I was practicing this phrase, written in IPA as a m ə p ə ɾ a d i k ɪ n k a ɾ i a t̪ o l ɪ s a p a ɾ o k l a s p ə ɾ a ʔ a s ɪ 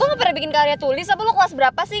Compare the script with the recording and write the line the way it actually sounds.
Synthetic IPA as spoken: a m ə p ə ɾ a b i k ɪ n k a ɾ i a t̪ u l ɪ s a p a l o k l a s b ə ɾ a p a s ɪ